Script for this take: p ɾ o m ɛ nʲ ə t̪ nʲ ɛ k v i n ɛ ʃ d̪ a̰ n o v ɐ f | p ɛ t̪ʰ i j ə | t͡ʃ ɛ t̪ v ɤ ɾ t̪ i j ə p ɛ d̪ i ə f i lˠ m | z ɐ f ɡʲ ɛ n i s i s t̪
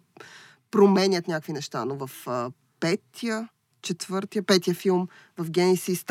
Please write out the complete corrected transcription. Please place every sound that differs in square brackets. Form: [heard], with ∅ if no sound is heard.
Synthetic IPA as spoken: p ɾ o m ɛ nʲ ə t̪ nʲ [a] k v i n ɛ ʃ [t̪] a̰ n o v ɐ f | p ɛ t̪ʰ i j ə | t͡ʃ ɛ t̪ v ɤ ɾ t̪ i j ə p ɛ [t̪] i ə f i lˠ m | [v] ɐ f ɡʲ ɛ n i s i s t̪